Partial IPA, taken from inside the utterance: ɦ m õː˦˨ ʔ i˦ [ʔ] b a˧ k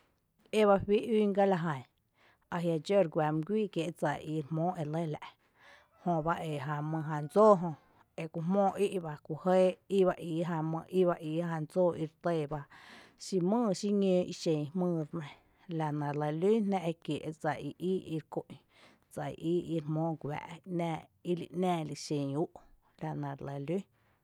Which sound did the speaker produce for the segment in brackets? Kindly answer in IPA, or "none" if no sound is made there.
ʔ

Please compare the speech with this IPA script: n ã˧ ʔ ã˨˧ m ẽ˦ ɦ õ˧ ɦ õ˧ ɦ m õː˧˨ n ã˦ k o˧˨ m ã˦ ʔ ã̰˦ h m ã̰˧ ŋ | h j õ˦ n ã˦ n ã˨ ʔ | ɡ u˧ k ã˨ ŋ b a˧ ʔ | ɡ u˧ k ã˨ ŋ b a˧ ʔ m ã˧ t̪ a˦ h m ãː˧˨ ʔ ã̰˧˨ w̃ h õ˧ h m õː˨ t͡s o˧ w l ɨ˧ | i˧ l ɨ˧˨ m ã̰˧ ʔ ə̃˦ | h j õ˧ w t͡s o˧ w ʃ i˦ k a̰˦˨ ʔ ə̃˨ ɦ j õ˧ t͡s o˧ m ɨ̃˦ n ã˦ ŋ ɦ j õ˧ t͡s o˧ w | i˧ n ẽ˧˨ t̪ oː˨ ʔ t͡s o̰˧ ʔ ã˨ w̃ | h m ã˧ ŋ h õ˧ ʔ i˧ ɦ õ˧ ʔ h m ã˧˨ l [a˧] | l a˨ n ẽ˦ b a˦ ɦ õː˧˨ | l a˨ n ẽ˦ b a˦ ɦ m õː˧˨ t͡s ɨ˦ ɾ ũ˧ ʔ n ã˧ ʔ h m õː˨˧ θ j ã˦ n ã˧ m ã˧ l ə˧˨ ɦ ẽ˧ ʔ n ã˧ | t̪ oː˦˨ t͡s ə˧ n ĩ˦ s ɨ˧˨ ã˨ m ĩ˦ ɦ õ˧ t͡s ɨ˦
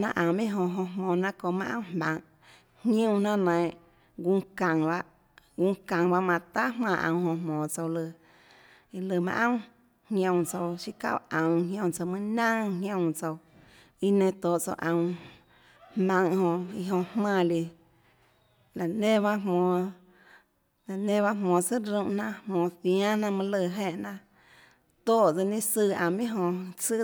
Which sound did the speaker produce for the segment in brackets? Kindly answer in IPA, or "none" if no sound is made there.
i˧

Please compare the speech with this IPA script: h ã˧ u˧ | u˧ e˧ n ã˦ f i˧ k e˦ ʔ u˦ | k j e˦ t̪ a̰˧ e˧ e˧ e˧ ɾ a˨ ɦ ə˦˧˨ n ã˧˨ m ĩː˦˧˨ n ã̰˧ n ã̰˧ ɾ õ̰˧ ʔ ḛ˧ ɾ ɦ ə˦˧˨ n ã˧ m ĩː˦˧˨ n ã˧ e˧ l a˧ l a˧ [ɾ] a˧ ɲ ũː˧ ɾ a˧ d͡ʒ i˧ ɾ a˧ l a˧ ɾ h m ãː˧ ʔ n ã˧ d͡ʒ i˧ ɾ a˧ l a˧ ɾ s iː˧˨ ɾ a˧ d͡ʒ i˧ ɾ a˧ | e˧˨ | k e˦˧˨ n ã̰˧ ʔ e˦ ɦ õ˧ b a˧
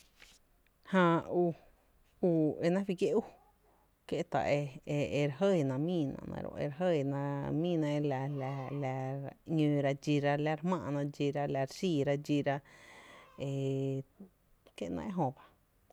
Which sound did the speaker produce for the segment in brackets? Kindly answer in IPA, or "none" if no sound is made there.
l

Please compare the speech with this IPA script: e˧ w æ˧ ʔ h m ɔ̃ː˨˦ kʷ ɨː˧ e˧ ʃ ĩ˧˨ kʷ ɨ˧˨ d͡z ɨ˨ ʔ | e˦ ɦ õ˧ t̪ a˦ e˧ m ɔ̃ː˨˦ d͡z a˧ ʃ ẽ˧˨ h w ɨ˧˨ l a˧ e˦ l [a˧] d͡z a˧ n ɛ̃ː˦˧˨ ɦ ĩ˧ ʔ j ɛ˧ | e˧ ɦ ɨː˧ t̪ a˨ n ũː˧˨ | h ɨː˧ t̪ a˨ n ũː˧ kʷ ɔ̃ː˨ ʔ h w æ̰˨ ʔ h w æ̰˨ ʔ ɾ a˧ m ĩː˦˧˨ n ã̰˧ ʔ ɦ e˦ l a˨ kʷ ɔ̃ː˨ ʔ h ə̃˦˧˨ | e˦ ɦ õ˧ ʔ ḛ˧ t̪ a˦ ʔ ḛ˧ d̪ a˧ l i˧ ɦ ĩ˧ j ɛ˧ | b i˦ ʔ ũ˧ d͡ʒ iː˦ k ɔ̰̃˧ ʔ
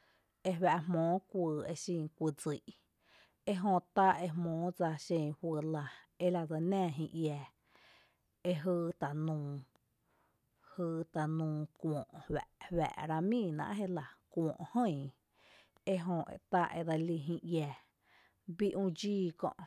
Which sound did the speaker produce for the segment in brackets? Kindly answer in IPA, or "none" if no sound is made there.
a˧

